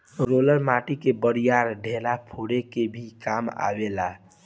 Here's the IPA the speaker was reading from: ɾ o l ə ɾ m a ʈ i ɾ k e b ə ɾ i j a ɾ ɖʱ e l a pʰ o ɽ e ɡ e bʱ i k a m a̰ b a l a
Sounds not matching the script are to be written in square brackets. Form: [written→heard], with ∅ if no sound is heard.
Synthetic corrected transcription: ɾ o l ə ɾ m a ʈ i [ɾ→∅] k e b ə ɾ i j a ɾ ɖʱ e l a pʰ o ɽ e [ɡ→k] e bʱ i k a m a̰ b [a→e] l a